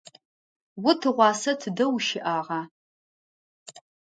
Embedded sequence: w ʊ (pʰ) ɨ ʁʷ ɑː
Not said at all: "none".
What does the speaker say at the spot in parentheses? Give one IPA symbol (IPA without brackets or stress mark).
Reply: tʰ